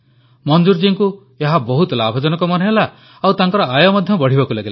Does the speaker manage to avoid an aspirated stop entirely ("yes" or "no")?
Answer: yes